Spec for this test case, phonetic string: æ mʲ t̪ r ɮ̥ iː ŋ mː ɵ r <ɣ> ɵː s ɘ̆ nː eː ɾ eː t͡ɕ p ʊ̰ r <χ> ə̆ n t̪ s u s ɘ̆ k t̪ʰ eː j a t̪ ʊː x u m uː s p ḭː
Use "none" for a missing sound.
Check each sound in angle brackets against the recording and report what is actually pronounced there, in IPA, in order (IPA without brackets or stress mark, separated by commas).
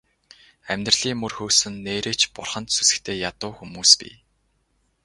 x, χ